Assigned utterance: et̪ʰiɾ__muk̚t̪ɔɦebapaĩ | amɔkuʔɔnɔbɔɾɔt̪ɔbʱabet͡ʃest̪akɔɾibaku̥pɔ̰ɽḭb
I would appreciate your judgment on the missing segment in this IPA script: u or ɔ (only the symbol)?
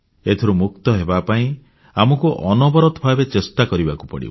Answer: u